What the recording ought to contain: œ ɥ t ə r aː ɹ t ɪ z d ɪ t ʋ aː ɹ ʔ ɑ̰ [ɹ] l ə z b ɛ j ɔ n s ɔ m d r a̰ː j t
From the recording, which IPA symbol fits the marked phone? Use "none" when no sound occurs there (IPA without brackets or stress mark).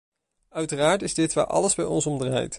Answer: none